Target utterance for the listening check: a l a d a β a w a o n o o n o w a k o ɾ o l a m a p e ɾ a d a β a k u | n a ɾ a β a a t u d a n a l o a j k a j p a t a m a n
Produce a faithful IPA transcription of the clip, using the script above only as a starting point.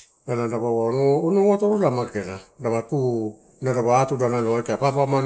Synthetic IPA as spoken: a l a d a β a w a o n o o n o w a t o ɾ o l a m a k e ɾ a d a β a t u | n a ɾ a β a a t u d a n a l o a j k a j p a p a m a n